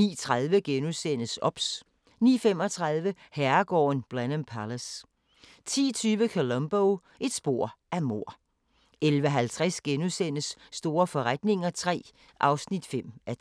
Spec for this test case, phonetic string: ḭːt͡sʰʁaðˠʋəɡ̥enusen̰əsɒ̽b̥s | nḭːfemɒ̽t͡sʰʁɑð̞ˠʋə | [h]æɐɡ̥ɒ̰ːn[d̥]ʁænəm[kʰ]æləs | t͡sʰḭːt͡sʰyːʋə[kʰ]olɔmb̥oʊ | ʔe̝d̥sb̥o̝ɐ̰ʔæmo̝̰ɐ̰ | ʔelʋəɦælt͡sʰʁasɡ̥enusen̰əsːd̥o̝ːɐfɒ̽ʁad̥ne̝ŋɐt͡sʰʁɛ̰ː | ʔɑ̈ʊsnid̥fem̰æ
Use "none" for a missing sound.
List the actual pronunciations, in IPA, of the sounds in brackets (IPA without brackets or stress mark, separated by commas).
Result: h, b̥, pʰ, kʰ